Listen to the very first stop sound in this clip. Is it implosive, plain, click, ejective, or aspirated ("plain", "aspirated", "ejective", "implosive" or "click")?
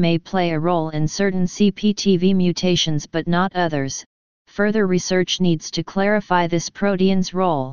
aspirated